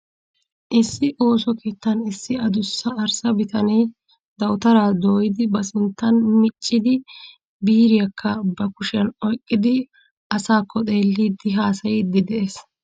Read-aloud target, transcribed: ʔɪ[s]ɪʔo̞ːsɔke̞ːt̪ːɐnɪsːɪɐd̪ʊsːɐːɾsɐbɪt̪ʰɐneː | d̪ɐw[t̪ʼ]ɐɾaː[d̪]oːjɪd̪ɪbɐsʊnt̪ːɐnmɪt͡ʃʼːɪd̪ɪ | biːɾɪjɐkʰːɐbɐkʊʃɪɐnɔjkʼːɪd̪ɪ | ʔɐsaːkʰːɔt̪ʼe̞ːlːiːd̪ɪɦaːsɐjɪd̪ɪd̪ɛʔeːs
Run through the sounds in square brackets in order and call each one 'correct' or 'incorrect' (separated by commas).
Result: incorrect, incorrect, correct